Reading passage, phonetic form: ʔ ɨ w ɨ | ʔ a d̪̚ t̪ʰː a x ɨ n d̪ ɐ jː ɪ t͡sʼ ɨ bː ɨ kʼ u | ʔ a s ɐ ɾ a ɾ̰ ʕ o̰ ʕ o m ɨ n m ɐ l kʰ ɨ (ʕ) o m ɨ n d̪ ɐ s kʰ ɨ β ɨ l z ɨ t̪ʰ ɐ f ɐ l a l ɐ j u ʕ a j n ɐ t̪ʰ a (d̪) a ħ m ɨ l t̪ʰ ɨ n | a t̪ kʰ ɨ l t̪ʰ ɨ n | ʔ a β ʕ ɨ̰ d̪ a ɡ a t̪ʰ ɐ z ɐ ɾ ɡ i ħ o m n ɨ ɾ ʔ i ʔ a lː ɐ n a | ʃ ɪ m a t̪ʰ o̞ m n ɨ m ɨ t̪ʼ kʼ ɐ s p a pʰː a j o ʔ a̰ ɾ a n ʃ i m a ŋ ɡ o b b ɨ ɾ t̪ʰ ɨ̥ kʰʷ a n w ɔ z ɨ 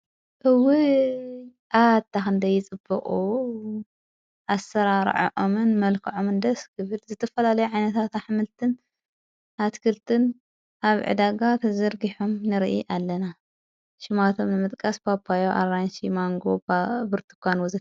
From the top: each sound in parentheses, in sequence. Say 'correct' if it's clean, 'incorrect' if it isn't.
correct, incorrect

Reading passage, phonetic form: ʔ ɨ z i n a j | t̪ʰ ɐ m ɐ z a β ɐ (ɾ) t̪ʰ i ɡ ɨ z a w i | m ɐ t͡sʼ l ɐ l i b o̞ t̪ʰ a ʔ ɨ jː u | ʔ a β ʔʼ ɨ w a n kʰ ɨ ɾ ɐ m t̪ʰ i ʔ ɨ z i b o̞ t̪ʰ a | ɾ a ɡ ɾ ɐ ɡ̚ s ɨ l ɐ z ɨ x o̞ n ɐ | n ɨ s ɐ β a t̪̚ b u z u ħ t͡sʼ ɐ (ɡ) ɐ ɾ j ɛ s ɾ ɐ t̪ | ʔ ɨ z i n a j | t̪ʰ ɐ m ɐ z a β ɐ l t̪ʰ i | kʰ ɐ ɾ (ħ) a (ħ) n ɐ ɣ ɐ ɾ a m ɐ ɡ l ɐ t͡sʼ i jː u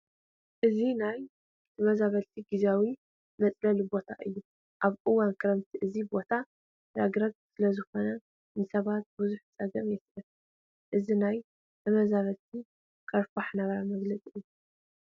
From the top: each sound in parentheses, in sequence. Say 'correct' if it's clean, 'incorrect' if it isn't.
incorrect, correct, incorrect, correct

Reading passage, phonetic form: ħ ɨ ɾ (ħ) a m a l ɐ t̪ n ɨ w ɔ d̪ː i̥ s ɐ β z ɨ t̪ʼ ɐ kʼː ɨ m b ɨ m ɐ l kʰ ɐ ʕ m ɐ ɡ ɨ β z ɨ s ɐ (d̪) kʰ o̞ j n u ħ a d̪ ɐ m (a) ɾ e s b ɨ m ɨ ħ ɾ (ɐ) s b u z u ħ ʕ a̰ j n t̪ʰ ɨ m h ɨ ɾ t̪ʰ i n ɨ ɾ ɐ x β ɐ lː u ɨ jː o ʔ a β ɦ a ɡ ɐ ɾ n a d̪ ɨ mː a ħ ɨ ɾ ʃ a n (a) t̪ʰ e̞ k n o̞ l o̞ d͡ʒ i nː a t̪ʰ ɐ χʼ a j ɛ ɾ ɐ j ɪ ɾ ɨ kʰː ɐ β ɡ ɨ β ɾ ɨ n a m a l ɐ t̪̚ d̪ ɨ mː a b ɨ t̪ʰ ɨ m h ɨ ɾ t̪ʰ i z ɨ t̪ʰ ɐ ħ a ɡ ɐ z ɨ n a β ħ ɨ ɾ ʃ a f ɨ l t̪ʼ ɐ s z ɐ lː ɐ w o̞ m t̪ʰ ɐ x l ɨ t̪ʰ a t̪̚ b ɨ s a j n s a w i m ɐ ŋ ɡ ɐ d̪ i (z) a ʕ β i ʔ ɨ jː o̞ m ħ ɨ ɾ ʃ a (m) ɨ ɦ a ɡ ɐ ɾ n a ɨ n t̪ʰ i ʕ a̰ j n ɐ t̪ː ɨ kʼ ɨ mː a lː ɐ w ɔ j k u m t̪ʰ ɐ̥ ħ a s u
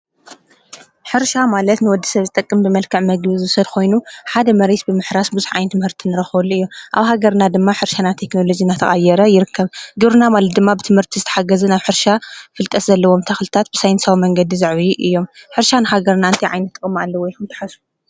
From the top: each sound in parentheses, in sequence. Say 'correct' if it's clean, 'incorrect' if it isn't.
incorrect, correct, incorrect, incorrect, correct, correct, incorrect

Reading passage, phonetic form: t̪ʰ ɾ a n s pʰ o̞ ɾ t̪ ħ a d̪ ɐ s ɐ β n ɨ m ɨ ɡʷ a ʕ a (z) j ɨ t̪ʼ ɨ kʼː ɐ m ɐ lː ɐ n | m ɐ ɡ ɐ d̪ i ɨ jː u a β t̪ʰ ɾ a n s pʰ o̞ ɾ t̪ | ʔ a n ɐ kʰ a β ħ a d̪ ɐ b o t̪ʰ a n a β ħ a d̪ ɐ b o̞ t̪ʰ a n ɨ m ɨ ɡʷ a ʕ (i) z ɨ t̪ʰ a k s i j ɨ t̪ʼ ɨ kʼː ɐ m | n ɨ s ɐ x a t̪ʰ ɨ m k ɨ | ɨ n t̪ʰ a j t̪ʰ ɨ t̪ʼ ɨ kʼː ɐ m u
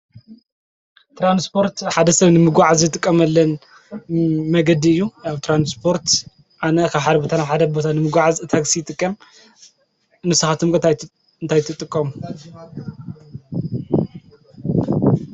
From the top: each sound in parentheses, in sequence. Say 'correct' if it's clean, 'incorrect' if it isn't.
correct, incorrect

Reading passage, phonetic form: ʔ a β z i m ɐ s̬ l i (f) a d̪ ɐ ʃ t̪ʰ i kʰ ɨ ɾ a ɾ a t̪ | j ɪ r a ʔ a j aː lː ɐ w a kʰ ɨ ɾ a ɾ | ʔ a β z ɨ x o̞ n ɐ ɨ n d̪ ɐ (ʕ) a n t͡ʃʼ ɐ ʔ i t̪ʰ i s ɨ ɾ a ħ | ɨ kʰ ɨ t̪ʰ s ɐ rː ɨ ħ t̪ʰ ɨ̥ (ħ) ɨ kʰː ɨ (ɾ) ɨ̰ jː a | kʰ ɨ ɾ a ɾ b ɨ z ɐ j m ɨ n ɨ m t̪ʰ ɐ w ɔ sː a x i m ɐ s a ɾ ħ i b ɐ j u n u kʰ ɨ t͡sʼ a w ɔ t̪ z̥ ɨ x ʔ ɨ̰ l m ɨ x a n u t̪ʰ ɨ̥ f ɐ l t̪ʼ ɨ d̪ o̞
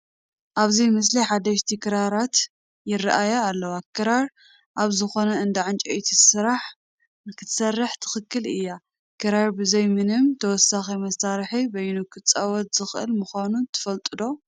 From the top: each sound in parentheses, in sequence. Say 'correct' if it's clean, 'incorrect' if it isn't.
incorrect, correct, incorrect, incorrect

